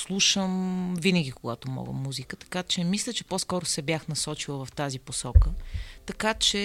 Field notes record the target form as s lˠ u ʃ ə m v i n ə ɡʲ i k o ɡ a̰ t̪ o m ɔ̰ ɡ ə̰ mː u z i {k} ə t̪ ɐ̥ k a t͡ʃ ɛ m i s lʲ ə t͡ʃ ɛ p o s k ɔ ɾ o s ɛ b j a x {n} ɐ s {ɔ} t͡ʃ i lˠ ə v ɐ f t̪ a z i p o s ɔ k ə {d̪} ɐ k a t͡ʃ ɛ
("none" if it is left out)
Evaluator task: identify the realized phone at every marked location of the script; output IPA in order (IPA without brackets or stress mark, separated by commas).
k, n, ɔ, t̪